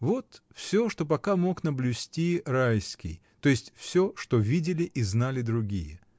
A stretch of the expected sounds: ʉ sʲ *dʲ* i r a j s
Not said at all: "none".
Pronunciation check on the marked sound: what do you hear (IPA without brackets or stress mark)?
tʲ